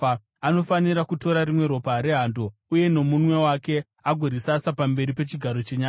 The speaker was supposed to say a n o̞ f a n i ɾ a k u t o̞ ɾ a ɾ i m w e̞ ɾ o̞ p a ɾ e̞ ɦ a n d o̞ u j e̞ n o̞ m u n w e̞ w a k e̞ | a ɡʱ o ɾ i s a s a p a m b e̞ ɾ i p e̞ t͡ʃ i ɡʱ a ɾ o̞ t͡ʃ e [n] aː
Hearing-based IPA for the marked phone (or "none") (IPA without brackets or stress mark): ɲ